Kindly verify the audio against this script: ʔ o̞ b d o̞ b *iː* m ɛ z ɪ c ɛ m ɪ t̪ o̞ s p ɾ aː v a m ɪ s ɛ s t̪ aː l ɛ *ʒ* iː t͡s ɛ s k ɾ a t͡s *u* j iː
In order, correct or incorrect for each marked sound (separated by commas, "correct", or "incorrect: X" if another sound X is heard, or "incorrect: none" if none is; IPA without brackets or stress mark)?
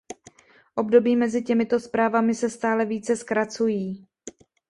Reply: correct, incorrect: v, correct